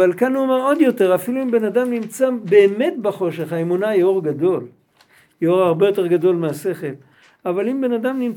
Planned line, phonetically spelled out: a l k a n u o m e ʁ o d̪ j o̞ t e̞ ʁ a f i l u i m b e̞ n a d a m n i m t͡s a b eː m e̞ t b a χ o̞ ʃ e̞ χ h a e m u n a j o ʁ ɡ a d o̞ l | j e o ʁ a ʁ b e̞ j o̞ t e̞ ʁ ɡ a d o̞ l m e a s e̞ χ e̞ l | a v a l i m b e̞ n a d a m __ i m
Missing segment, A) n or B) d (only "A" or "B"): A